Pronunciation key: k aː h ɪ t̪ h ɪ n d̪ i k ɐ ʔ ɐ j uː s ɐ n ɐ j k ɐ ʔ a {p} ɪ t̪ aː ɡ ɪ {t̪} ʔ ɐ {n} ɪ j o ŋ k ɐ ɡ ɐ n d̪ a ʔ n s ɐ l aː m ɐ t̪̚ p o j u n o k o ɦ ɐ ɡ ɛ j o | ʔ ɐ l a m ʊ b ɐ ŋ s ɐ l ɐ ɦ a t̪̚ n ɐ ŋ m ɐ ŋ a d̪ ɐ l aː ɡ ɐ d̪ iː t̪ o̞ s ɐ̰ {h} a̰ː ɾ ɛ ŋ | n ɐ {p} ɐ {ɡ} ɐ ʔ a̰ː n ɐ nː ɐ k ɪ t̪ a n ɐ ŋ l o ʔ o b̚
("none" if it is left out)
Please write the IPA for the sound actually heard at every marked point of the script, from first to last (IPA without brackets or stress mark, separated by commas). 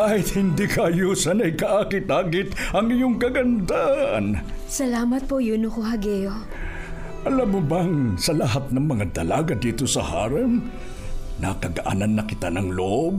k, t̪, ŋ, h, k, ɡ